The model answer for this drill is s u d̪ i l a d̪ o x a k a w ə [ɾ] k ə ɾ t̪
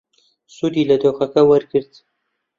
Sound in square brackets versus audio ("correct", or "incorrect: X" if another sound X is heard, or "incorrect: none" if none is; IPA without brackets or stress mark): correct